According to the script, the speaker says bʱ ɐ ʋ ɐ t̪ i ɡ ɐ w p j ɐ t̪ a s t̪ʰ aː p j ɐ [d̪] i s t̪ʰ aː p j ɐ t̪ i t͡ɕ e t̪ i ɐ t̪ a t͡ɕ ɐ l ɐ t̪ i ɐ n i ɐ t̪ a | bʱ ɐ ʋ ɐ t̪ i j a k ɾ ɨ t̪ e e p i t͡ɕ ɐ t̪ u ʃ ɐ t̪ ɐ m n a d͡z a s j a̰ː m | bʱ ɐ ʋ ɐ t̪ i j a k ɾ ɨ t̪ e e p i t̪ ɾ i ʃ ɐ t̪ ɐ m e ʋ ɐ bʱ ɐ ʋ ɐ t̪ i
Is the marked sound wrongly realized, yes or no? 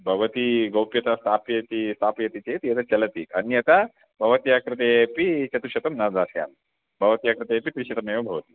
yes